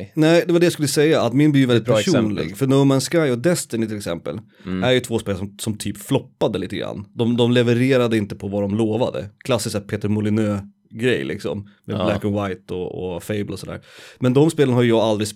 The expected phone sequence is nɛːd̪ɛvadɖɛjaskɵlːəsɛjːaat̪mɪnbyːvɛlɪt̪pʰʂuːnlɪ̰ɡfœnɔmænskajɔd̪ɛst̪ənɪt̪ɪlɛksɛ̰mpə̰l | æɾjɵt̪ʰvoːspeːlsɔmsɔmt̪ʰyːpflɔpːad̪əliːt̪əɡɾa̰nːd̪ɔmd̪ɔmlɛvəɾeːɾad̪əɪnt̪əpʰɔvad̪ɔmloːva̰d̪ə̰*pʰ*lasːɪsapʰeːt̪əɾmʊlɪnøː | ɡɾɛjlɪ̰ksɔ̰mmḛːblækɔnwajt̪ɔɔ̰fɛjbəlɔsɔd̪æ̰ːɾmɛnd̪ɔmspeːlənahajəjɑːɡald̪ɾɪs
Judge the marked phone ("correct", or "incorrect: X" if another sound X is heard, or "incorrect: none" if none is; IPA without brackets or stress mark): incorrect: kʰ